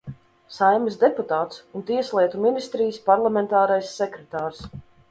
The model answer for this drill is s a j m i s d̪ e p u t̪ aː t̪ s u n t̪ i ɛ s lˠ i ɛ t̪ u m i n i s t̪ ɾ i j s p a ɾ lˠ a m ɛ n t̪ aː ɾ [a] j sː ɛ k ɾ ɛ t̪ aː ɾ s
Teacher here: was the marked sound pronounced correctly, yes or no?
yes